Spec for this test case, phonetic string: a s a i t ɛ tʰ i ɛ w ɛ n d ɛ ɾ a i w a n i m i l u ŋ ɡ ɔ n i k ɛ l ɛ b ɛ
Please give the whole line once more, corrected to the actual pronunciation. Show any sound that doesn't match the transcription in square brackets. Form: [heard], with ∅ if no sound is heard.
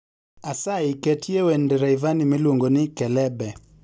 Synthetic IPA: a s a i [k] ɛ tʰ i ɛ w ɛ n d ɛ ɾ a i [v] a n i m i l u ŋ ɡ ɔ n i k ɛ l ɛ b ɛ